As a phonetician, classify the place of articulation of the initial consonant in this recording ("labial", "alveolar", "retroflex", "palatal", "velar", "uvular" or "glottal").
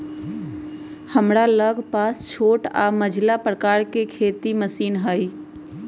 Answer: glottal